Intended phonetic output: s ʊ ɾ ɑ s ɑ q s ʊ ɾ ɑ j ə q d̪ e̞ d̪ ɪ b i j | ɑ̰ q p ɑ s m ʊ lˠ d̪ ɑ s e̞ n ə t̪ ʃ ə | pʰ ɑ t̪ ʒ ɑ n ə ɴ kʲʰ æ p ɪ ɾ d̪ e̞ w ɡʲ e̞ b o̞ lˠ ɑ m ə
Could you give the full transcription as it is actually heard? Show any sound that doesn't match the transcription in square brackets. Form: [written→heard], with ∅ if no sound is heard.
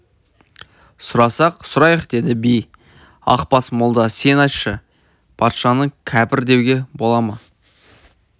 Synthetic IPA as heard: s ʊ ɾ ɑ s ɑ q s ʊ ɾ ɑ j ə q d̪ e̞ d̪ ɪ b i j | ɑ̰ q p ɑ s m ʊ lˠ d̪ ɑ s e̞ n [ə→ɑ] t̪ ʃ ə | pʰ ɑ t̪ [ʒ→ʃ] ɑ n ə ɴ kʲʰ æ p ɪ ɾ d̪ e̞ w ɡʲ e̞ b o̞ lˠ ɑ m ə